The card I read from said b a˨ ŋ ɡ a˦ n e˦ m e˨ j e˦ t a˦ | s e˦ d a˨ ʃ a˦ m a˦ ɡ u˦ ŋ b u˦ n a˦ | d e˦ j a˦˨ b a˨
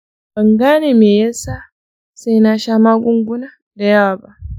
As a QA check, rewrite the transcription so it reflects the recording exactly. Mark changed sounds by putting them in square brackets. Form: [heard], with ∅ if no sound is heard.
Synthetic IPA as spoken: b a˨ ŋ ɡ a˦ n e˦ m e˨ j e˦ [s] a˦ | s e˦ [n] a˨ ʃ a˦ m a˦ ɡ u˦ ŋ [ɡ] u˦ n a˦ | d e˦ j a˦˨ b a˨